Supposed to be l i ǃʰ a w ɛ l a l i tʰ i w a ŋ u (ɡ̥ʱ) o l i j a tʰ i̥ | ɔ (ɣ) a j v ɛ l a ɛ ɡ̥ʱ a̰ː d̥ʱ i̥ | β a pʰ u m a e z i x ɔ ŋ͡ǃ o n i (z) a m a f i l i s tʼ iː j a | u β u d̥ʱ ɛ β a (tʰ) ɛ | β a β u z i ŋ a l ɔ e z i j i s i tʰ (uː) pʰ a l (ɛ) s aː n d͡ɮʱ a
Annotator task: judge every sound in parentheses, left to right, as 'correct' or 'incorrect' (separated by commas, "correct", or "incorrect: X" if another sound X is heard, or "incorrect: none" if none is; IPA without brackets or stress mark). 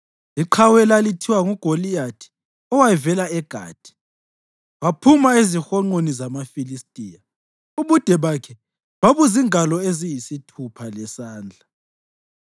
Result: correct, incorrect: w, correct, incorrect: kʰ, incorrect: u, correct